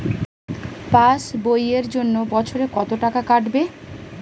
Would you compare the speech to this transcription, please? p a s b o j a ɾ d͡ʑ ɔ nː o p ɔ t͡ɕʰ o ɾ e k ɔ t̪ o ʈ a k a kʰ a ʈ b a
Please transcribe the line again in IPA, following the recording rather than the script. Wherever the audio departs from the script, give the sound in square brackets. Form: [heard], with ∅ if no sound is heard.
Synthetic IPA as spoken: p a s b o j [e] ɾ d͡ʑ [o] nː o [b] ɔ t͡ɕʰ o ɾ e k ɔ t̪ o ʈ a k a [k] a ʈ b [e]